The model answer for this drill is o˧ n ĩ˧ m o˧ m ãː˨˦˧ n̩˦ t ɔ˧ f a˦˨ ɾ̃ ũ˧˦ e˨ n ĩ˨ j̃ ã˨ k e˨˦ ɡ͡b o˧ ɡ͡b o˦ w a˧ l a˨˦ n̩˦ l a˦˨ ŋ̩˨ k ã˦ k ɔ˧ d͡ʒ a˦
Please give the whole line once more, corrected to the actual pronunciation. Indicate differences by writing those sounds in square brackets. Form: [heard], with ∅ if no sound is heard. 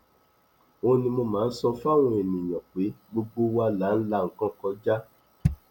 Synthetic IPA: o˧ n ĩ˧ m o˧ m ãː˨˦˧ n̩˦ [s] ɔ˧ f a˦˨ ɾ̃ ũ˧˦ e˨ n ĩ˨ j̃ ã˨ [k͡p] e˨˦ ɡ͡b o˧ ɡ͡b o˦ w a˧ l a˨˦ n̩˦ l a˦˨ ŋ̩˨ k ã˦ k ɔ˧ d͡ʒ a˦